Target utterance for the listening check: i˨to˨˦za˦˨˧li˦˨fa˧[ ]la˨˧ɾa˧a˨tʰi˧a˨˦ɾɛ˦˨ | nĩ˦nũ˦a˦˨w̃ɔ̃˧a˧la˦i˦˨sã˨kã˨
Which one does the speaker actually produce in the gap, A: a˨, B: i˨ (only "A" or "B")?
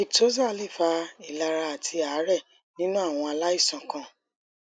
B